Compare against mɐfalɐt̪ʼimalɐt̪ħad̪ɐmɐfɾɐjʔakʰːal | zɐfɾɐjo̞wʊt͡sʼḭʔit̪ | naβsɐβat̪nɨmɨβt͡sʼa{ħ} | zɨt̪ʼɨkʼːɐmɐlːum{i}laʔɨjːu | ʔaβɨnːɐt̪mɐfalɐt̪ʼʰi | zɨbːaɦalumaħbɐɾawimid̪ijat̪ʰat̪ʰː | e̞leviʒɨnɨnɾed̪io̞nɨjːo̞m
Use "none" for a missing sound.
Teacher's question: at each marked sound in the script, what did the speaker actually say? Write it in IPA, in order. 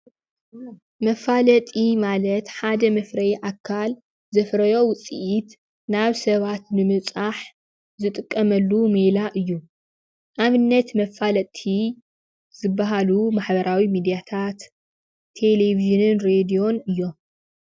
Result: ħ, e

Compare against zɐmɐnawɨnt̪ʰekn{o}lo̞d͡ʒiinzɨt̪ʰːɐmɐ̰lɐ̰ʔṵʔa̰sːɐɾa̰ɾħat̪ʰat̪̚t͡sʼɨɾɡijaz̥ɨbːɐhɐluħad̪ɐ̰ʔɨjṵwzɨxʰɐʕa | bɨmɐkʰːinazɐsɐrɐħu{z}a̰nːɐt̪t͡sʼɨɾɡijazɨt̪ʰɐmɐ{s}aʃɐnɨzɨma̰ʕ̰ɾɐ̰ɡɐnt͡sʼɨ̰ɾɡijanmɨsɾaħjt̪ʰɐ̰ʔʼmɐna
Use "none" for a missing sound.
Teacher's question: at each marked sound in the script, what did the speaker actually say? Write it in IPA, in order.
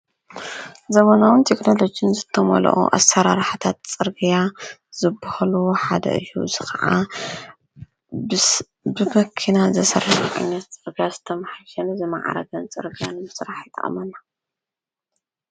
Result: o, ʕ, ħ

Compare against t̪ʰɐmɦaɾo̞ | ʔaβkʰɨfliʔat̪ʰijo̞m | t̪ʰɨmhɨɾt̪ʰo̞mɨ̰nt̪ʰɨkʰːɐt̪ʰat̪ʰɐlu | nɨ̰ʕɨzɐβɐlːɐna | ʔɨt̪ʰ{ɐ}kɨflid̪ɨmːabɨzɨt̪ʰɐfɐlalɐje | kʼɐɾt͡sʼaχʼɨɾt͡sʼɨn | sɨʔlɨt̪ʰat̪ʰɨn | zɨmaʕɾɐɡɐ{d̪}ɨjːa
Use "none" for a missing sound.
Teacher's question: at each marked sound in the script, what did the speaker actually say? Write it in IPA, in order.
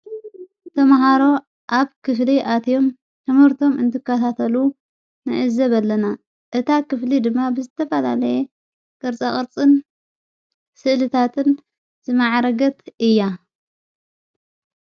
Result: a, t̪

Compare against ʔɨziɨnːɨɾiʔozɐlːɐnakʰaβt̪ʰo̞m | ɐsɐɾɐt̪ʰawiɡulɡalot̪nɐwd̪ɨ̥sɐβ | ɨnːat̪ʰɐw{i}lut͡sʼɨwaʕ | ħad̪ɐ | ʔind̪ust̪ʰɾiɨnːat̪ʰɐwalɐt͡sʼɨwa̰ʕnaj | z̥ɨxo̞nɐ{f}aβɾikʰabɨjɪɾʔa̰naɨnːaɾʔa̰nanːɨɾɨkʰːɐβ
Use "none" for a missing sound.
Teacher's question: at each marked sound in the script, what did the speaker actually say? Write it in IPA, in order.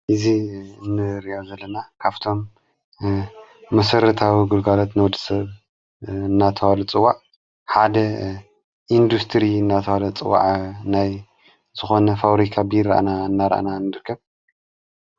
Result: a, f

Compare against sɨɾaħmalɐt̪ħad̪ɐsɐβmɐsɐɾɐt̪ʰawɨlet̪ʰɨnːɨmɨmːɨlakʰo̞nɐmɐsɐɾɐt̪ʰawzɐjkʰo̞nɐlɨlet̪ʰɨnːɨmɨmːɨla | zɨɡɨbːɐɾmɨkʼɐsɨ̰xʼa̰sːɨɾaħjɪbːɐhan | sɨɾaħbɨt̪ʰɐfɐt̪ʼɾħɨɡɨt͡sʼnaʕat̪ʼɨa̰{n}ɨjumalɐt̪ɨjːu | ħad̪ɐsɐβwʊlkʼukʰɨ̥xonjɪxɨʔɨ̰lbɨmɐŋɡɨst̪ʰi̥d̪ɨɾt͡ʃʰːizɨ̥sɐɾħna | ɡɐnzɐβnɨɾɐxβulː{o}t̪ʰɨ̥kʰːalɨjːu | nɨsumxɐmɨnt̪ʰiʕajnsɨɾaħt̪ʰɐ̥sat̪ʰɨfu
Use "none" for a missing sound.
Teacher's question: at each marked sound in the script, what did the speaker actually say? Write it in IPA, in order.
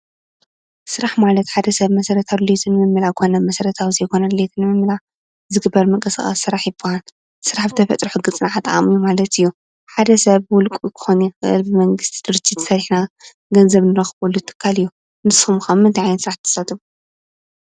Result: m, u

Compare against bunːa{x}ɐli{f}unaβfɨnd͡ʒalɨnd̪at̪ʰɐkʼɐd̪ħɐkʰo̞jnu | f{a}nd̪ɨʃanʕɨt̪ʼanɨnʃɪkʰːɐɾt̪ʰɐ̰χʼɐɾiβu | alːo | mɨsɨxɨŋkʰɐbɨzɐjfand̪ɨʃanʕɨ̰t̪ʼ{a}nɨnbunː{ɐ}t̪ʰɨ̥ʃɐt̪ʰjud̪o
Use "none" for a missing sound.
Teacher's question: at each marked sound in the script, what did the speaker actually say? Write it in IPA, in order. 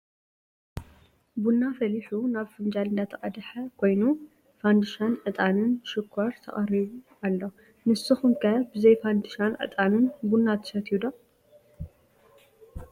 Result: f, ħ, a, a, a

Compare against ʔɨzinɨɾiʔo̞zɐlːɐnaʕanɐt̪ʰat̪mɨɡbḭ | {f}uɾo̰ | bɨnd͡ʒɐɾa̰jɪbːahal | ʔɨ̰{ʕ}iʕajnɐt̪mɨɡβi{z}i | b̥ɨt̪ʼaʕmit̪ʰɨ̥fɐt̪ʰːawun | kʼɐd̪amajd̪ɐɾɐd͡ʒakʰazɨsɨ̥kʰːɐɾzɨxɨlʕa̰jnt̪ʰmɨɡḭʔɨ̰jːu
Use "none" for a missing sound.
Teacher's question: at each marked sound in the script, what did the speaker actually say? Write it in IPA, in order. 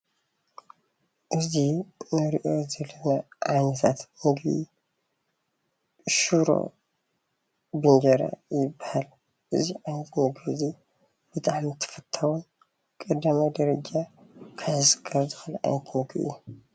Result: ʃ, z, z

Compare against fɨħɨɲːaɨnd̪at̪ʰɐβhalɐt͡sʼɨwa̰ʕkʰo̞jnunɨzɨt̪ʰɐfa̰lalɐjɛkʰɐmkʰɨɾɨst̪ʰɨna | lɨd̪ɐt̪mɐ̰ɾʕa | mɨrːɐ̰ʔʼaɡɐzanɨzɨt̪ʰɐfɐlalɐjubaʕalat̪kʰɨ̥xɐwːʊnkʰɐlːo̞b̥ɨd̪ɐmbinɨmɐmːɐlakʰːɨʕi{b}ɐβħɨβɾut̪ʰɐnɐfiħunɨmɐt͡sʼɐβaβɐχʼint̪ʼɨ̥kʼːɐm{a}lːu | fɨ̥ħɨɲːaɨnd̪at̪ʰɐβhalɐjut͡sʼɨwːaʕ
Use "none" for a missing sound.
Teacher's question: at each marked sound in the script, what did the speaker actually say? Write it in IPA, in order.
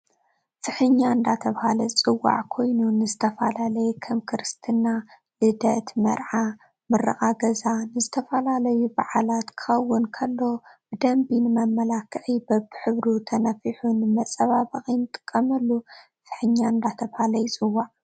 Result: b, ɐ

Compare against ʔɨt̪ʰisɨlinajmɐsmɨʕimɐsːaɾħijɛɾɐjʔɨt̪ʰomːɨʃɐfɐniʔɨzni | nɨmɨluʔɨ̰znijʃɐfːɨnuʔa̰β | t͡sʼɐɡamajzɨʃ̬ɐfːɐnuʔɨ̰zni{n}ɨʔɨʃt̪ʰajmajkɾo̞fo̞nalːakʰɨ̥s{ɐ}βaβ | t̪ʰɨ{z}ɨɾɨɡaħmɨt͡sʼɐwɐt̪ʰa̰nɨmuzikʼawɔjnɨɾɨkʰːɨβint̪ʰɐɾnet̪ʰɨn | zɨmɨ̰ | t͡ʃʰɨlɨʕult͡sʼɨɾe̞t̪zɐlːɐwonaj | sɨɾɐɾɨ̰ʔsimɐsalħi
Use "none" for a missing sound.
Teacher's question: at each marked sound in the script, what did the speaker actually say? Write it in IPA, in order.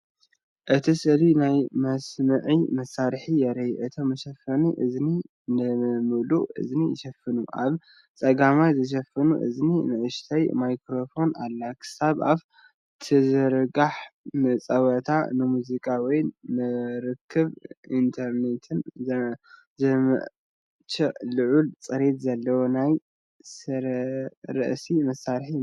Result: n, a, z

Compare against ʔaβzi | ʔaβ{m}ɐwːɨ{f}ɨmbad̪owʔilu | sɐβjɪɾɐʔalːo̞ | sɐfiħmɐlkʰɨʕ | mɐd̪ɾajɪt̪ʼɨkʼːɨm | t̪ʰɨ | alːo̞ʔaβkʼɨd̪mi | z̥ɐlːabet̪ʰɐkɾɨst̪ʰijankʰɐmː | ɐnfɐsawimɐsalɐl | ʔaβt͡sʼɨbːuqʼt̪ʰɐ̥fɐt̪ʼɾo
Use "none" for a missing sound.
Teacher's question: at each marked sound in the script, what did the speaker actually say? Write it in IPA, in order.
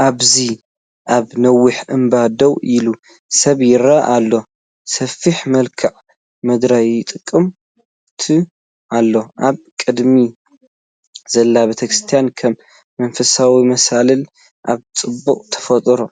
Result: n, ħ

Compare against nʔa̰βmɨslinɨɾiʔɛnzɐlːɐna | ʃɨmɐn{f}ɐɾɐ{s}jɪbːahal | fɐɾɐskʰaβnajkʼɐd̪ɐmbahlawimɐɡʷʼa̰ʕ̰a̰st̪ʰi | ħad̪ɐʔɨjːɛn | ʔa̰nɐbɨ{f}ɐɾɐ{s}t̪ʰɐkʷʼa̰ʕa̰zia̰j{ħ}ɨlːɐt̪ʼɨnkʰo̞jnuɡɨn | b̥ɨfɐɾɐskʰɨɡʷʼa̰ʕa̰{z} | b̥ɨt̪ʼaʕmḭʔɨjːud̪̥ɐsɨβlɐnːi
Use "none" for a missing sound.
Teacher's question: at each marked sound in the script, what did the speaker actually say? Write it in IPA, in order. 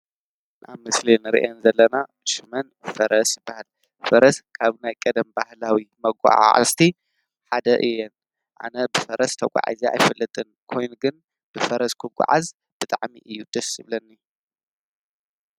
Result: f, s, f, s, f, z

